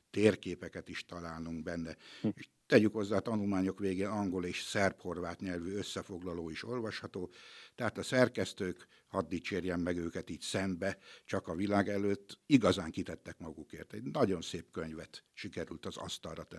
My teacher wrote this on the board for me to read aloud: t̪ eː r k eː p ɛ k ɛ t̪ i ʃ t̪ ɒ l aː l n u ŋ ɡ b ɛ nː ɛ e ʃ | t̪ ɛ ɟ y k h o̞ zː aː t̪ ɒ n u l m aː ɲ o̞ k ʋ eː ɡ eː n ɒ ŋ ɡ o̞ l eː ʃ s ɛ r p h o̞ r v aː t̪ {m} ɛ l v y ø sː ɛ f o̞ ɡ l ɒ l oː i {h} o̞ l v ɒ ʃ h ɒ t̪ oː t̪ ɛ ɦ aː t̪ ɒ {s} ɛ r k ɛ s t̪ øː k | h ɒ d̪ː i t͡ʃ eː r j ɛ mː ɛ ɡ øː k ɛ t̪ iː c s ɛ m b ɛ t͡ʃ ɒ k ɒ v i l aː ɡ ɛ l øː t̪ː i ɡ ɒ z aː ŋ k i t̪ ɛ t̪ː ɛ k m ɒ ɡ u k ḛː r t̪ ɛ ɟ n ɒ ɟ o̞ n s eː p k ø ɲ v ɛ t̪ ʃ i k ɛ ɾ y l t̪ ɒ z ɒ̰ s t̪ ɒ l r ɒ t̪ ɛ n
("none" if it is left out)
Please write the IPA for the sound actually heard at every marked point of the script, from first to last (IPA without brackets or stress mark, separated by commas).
ɲ, ʃ, s